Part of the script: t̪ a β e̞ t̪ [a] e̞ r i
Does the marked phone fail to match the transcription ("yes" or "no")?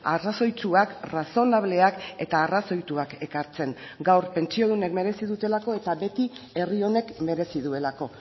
yes